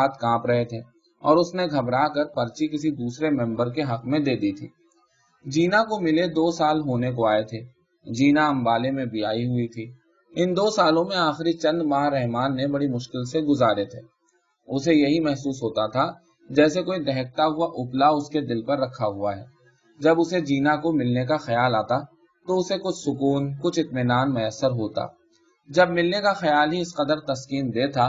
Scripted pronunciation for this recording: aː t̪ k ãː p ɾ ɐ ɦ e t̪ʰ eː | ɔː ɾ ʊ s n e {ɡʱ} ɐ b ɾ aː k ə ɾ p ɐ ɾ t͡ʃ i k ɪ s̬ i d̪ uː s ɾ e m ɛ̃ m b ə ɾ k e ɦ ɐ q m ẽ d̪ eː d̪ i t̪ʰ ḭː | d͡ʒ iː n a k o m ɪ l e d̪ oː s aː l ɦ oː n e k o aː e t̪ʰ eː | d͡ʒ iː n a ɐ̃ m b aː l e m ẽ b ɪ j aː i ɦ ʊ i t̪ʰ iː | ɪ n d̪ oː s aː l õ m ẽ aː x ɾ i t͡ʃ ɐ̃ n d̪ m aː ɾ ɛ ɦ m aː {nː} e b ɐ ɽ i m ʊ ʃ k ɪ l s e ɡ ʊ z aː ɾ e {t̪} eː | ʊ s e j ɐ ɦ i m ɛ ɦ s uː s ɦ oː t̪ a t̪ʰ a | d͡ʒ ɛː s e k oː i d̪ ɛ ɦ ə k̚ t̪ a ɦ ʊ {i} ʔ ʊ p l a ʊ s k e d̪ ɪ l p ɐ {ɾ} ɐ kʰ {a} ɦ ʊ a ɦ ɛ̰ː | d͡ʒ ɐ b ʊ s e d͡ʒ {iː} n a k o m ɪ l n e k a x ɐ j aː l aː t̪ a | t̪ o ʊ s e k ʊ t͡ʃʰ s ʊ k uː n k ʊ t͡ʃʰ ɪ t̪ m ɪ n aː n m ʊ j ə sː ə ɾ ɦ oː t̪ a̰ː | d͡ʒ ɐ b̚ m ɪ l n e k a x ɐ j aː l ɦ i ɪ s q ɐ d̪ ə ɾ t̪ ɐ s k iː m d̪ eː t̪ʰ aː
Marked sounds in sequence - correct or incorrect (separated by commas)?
correct, correct, incorrect, incorrect, incorrect, correct, correct